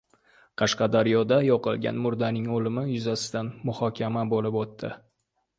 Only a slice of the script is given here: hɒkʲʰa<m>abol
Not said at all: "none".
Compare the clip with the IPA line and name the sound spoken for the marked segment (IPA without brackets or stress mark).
m